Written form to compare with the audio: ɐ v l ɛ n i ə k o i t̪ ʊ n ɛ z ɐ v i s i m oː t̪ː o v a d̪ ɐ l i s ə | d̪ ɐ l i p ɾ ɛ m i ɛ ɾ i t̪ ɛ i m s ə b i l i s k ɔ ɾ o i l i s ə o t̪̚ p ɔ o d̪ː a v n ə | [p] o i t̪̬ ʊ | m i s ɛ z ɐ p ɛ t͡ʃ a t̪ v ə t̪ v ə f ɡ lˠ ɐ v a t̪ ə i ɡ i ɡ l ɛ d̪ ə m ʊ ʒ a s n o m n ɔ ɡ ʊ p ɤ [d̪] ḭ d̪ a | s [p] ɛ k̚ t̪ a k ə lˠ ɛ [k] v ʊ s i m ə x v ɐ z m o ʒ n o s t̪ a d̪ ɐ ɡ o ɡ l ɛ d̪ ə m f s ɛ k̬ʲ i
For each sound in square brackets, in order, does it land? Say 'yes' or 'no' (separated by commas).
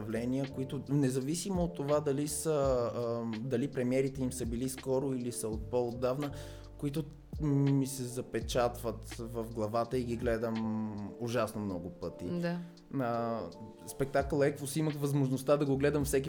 no, no, yes, yes